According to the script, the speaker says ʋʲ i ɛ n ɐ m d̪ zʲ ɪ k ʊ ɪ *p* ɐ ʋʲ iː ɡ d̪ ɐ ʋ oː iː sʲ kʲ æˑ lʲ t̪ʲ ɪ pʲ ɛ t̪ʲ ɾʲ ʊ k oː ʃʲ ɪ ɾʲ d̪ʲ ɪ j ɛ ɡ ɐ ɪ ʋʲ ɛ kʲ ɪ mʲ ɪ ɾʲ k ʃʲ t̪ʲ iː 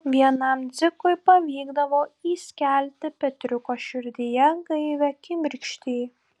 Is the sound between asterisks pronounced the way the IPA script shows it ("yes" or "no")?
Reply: yes